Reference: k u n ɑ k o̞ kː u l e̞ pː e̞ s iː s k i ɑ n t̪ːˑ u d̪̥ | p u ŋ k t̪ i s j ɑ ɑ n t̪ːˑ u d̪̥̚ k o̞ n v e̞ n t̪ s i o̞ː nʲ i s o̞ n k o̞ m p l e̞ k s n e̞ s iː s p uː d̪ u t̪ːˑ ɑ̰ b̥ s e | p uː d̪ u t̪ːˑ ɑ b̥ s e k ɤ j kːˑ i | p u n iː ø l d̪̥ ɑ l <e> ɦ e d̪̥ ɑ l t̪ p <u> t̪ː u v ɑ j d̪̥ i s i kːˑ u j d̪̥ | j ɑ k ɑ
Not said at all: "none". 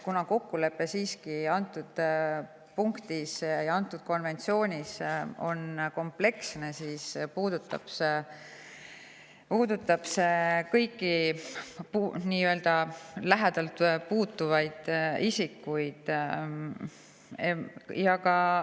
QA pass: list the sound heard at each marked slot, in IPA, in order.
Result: æ, uː

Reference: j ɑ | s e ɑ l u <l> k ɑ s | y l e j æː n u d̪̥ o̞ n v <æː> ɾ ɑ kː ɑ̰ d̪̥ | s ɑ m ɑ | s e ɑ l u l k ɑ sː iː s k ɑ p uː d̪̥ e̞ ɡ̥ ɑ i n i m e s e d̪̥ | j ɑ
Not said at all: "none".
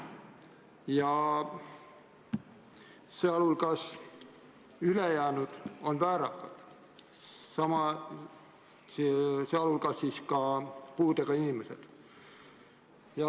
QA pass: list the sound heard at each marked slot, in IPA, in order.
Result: l, æː

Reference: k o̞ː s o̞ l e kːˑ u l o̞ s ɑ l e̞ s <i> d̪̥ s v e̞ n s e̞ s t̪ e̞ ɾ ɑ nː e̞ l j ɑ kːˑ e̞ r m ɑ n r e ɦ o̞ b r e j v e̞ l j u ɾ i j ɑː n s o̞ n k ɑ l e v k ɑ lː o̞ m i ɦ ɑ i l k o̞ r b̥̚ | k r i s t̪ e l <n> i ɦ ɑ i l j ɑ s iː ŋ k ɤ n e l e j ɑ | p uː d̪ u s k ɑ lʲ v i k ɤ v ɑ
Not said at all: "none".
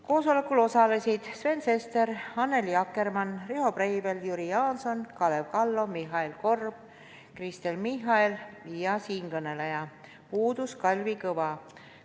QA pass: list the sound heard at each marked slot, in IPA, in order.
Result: i, m

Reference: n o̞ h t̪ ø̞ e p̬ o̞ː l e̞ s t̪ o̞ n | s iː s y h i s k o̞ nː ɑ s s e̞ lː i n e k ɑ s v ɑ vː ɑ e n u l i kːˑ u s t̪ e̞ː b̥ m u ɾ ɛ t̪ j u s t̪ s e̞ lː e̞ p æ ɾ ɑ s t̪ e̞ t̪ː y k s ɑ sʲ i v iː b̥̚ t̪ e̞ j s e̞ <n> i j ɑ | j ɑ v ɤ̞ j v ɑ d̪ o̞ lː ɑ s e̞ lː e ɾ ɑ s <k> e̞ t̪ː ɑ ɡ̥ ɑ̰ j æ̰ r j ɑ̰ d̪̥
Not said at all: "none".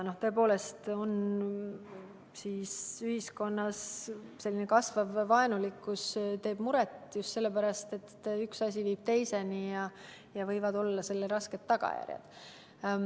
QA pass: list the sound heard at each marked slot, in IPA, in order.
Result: n, k

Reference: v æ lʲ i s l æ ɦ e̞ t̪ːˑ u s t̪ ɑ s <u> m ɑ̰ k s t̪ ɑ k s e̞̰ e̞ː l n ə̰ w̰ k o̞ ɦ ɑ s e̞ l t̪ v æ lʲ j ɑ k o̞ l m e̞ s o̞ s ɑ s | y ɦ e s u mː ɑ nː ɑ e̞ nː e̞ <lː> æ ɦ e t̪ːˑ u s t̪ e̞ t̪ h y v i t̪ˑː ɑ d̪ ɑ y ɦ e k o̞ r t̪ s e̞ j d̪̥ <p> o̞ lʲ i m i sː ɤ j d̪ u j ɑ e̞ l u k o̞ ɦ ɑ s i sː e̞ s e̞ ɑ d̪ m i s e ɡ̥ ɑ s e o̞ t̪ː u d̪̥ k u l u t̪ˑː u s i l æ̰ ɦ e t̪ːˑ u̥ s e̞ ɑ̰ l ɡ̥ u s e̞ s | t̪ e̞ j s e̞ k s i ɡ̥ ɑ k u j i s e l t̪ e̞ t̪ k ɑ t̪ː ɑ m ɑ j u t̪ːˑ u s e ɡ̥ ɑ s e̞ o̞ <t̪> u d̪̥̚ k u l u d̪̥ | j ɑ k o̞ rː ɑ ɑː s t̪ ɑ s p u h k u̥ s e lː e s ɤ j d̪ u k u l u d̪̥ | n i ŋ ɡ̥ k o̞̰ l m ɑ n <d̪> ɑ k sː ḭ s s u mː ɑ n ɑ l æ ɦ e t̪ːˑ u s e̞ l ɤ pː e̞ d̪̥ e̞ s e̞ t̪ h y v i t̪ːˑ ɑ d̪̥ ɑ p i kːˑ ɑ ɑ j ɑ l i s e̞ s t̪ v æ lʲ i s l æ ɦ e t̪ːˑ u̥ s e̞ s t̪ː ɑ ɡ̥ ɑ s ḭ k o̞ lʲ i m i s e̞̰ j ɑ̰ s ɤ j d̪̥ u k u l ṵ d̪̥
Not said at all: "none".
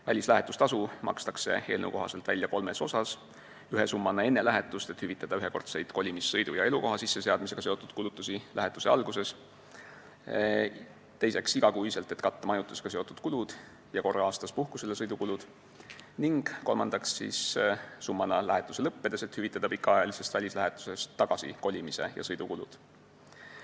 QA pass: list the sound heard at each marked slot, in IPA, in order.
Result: u, l, k, t̪, d̪

